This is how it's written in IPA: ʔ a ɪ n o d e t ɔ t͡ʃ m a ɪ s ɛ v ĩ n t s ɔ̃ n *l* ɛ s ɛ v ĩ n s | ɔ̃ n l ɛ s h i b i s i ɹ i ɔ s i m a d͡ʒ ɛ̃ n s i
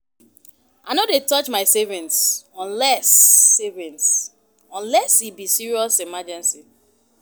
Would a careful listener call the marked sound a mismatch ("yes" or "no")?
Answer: no